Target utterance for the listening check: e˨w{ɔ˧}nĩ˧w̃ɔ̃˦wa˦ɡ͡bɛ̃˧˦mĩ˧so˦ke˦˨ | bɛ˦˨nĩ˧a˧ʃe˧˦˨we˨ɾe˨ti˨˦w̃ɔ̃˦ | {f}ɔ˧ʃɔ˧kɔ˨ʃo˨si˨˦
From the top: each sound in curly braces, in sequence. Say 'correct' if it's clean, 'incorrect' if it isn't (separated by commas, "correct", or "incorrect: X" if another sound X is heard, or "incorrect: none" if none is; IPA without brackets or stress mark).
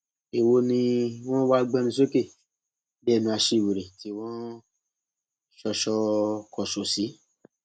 incorrect: o˧, incorrect: ʃ